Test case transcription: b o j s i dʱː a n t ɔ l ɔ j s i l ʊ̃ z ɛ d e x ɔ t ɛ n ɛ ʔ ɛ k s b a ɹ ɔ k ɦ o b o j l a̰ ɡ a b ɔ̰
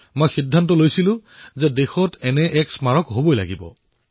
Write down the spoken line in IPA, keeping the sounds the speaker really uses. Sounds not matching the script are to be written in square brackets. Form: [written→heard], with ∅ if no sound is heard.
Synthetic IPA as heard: [b→m] o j [s→x] i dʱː a n t ɔ l [ɔ→o] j s i l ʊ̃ z ɛ d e x ɔ t ɛ n ɛ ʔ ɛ k s [b→m] a ɹ ɔ k ɦ o b o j l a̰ ɡ [a→i] b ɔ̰